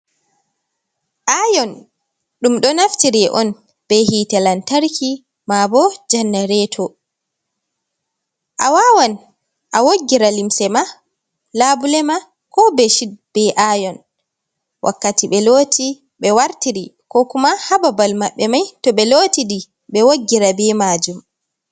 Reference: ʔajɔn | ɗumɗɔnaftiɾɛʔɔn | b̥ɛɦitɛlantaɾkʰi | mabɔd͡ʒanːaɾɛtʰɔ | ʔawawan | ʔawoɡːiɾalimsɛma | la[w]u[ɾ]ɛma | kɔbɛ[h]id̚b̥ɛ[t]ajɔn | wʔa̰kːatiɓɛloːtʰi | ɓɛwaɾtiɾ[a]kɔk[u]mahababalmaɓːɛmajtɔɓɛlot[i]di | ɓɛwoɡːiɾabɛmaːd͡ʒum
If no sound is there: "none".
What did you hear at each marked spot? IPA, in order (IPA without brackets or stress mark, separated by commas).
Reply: b, l, ʃ, ʔ, i, u, i